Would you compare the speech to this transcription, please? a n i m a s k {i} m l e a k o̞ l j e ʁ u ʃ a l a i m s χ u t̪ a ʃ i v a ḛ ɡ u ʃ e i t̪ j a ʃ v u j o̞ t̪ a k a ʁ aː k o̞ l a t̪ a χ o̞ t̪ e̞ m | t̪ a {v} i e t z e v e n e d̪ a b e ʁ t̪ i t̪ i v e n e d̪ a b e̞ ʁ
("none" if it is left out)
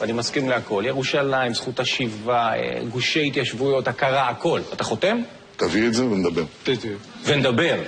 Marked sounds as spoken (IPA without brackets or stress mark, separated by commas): i, v